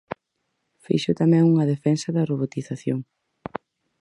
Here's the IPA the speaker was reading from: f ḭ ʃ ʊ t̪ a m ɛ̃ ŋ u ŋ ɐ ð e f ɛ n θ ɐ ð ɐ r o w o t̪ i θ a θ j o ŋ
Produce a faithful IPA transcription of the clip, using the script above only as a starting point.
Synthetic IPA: f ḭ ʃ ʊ t̪ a m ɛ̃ ŋ u ŋ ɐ ð e f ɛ n s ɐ ð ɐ r o β o t̪ i θ a θ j o ŋ